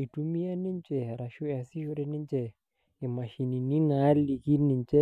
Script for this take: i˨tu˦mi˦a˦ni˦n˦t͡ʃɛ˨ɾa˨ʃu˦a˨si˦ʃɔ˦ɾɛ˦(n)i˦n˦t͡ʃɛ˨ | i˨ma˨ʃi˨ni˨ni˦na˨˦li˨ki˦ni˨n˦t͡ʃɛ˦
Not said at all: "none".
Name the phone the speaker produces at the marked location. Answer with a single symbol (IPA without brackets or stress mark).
n